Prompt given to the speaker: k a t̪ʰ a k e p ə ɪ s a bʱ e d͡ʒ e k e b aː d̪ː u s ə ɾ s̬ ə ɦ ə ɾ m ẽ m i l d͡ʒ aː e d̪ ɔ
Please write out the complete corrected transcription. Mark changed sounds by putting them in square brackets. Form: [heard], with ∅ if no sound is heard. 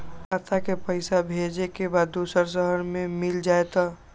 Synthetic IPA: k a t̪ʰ a k e p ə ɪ s a bʱ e d͡ʒ e k e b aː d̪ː u s ə ɾ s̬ ə ɦ ə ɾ m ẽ m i l d͡ʒ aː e [t̪] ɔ